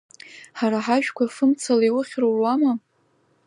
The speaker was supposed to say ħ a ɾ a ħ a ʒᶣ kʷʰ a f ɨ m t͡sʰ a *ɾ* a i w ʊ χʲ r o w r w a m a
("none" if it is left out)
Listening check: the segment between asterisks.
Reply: l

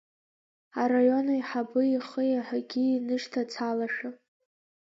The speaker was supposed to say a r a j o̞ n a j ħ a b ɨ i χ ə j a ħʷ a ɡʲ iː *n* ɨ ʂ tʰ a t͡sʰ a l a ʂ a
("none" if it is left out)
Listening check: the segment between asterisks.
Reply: n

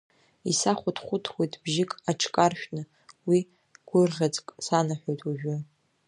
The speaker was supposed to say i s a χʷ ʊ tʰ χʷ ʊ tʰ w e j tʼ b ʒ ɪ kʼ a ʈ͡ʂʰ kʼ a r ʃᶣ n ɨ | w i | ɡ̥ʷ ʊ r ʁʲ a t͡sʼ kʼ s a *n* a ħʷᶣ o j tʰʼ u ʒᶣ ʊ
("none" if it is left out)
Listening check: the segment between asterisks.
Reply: n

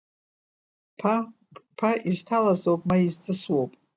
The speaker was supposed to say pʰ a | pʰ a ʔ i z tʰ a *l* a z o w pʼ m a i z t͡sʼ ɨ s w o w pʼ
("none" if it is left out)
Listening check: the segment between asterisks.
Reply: l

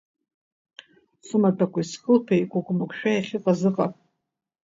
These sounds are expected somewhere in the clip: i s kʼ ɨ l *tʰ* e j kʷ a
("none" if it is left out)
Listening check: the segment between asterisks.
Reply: pʰ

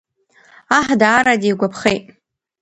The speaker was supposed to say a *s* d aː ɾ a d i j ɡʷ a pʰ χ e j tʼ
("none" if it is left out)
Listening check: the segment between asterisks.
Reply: ħ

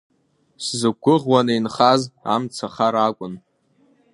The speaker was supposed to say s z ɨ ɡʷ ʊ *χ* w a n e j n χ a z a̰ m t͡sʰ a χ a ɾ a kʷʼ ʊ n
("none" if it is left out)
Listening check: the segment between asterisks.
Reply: ʁ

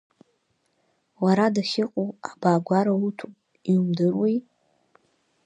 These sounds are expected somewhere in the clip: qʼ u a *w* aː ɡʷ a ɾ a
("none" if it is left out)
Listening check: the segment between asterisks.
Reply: b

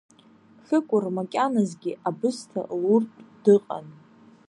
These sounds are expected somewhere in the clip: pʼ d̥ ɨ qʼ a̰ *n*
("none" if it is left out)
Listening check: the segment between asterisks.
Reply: n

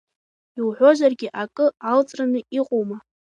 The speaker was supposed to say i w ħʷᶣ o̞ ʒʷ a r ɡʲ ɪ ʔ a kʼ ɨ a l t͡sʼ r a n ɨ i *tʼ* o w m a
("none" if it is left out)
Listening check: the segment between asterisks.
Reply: qʼ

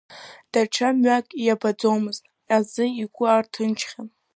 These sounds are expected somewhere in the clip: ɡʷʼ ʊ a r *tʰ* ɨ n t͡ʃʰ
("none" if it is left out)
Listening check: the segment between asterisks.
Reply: tʰ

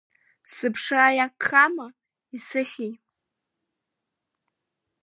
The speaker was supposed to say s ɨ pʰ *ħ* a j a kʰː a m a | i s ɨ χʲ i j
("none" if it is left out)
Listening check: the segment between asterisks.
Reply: ʂ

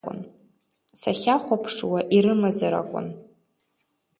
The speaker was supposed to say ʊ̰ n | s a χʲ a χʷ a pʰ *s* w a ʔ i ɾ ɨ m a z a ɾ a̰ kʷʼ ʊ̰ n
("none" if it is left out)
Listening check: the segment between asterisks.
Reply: ʂ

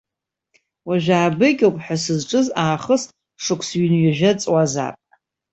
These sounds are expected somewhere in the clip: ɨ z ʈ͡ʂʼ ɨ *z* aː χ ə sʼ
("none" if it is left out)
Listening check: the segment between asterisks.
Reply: z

